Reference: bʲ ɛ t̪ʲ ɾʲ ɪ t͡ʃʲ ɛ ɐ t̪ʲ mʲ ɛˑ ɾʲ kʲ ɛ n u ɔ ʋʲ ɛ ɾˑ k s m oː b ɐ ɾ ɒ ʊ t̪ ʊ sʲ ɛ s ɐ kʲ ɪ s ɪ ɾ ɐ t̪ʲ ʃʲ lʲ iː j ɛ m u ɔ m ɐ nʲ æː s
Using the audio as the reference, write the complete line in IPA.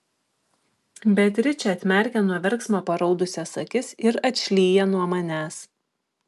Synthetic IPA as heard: bʲ ɛ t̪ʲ ɾʲ ɪ t͡ʃʲ ɛ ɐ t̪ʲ mʲ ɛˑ ɾʲ kʲ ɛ n u ɔ ʋʲ ɛ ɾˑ k s m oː p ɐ ɾ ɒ ʊ d̪ ʊ sʲ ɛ s ɐ kʲ ɪ s ɪ ɾ ɐ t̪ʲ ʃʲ lʲ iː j ɛ n u ɔ m ɐ nʲ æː s